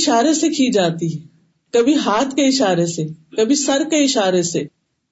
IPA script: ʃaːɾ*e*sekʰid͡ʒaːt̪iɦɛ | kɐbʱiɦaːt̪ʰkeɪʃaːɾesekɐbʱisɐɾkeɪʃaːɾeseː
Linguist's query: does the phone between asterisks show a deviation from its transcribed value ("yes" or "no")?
no